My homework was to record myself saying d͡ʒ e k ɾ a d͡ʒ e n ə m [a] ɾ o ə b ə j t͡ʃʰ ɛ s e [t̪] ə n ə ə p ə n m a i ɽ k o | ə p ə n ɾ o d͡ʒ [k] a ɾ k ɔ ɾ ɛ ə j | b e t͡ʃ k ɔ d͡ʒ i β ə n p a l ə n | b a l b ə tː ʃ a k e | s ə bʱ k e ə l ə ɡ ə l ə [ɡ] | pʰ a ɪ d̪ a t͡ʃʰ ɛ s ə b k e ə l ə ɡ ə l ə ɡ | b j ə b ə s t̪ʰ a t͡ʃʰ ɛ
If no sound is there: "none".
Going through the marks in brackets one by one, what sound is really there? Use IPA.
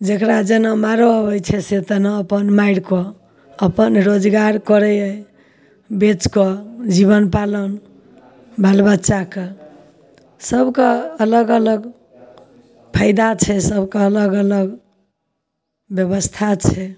a, t̪, ɡ, ɡ

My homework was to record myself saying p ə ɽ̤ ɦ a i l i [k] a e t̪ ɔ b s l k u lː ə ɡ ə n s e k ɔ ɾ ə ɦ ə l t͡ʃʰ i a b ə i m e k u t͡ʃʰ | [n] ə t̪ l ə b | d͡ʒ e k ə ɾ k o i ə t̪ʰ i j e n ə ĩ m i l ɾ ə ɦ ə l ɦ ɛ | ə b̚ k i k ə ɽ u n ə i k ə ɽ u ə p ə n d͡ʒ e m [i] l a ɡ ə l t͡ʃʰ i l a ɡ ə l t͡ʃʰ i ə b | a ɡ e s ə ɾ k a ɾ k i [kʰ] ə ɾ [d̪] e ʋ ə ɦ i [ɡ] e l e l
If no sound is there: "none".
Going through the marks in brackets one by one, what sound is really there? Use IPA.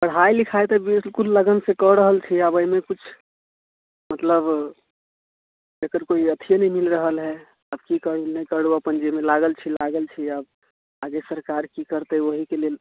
kʰ, m, e, k, t̪, k

